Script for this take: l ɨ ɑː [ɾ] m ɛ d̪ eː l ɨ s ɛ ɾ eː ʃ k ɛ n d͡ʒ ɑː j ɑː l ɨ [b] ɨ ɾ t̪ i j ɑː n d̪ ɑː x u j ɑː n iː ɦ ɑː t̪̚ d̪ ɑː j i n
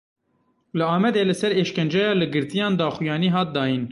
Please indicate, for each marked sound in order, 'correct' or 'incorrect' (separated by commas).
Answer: incorrect, incorrect